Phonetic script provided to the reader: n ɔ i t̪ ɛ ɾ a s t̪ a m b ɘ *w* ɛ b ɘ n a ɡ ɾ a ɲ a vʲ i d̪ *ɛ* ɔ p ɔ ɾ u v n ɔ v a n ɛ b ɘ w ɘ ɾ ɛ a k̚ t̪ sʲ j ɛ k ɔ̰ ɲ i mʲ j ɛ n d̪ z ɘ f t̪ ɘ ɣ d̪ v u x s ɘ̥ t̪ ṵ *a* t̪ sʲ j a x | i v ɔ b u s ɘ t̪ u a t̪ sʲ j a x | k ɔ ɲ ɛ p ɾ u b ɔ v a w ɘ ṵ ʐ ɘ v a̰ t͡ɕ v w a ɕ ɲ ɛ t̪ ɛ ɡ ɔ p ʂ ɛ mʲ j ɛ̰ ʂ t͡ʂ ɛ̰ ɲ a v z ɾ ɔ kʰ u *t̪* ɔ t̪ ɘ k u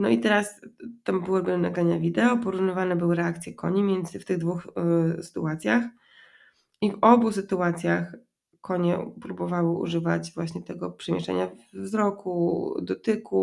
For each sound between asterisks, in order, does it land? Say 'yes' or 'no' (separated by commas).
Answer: yes, yes, yes, no